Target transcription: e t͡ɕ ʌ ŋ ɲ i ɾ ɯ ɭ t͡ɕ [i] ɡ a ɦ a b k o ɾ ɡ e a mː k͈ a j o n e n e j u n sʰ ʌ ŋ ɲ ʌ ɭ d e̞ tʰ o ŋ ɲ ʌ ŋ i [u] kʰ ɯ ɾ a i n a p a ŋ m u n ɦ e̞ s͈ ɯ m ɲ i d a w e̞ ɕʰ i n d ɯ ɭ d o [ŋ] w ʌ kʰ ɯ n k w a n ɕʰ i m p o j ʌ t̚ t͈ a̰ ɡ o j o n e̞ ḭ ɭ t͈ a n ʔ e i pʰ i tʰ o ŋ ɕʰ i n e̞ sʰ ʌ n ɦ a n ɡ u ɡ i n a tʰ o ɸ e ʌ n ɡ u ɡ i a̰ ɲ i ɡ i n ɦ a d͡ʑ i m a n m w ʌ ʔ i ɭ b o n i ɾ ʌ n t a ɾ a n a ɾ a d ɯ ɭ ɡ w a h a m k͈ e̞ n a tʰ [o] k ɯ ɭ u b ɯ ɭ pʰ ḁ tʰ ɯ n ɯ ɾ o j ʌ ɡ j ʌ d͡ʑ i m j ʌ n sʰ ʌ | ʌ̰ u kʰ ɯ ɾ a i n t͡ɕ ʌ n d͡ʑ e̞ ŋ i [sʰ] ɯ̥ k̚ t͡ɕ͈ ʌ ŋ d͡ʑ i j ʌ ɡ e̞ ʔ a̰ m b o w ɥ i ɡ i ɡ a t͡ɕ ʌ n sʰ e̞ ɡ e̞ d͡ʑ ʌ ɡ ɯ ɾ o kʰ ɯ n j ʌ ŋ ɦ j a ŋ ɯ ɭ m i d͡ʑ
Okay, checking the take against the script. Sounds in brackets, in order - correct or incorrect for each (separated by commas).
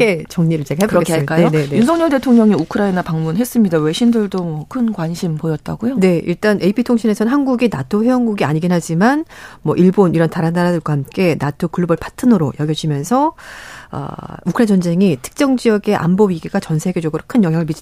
incorrect, correct, incorrect, correct, incorrect